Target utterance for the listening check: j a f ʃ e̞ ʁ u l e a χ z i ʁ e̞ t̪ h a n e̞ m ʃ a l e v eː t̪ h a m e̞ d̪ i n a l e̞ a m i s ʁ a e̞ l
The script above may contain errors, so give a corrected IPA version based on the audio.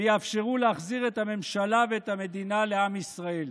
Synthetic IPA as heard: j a f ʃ e̞ ʁ u l e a χ z i ʁ e̞ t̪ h a m e̞ m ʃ a l a v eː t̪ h a m e̞ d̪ i n a l e̞ a m i s ʁ a e̞ l